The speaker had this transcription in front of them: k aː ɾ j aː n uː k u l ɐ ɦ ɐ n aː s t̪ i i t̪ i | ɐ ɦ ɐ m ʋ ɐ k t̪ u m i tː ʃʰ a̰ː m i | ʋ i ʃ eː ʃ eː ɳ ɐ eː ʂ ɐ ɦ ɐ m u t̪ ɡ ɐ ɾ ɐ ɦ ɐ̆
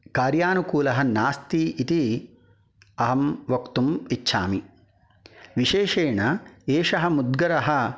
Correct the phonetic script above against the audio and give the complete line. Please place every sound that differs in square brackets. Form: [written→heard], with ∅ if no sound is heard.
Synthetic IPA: k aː ɾ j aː n [uː→u] k [u→uː] l ɐ ɦ ɐ n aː s t̪ i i t̪ i | ɐ ɦ ɐ m ʋ ɐ k t̪ u m i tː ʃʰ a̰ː m i | ʋ i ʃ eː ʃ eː ɳ ɐ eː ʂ ɐ ɦ ɐ m u [t̪→d̪] ɡ ɐ ɾ ɐ ɦ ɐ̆